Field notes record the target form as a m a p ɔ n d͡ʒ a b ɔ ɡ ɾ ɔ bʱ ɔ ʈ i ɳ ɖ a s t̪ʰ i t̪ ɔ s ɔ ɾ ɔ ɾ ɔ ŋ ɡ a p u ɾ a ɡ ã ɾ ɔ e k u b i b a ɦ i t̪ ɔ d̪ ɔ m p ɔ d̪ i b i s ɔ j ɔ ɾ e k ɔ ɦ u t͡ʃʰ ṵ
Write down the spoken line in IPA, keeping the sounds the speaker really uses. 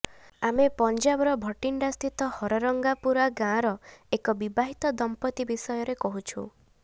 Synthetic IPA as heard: a m e p ɔ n d͡ʒ a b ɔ ɾ ɔ bʱ ɔ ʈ i ɳ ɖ a s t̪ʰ i t̪ ɔ h ɔ ɾ ɔ ɾ ɔ ŋ ɡ a p u ɾ a ɡ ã ɾ ɔ e k ɔ b i b a ɦ i t̪ ɔ d̪ ɔ m p ɔ t̪ i b i s ɔ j ɔ ɾ e k ɔ ɦ u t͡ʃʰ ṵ